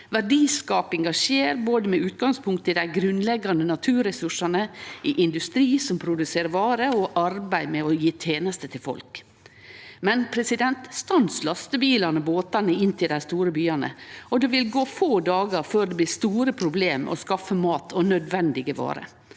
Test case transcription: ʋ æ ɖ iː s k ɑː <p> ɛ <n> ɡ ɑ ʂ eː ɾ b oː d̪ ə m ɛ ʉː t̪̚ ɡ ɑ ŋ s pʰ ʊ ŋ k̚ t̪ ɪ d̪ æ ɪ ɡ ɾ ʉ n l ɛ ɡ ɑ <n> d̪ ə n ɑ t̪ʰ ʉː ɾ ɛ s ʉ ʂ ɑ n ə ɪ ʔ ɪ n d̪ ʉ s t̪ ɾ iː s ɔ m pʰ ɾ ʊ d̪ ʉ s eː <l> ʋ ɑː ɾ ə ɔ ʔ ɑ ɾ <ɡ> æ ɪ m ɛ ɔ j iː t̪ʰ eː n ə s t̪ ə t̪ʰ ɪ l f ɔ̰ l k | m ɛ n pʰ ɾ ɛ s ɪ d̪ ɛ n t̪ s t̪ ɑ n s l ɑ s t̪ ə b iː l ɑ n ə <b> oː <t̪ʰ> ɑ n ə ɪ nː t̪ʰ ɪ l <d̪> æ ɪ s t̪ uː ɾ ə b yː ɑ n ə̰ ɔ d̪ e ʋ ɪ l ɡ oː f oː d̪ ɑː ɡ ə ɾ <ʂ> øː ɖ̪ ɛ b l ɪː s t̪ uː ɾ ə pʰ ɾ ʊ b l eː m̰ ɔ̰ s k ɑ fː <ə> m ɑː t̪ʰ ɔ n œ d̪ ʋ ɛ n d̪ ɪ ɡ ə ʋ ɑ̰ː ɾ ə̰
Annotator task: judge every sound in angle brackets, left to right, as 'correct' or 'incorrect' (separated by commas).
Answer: correct, incorrect, correct, incorrect, incorrect, correct, incorrect, correct, incorrect, correct